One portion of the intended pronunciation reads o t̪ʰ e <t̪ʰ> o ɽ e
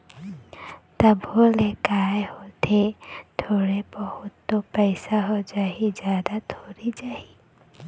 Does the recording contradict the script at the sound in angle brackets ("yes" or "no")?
no